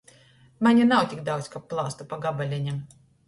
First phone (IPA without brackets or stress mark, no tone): m